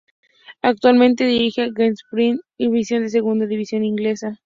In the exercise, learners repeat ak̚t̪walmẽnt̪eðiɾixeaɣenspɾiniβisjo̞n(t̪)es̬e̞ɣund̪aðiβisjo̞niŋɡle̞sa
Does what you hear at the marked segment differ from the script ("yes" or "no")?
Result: yes